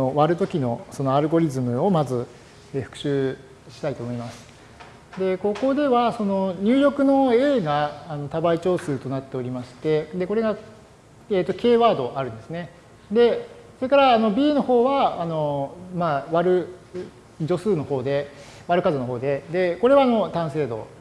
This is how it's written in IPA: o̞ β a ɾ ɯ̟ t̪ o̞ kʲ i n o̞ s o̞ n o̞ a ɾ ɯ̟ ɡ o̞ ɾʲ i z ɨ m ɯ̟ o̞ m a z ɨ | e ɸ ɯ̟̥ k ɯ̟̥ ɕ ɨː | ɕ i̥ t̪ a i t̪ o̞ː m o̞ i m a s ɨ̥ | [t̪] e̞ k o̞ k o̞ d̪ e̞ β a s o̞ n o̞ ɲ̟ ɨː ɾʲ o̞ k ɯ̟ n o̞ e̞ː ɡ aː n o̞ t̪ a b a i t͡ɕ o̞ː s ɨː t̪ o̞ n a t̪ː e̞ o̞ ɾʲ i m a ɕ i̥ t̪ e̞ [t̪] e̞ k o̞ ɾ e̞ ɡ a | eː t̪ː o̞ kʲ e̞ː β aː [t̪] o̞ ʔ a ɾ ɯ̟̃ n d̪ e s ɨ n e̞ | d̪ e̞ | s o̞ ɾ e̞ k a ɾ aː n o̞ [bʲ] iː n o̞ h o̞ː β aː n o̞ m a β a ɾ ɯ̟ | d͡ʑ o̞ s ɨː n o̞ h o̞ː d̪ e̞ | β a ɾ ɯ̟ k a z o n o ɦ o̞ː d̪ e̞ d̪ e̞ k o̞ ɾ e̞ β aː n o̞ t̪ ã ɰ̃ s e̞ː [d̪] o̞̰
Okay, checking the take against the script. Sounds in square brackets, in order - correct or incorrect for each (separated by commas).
incorrect, incorrect, incorrect, correct, correct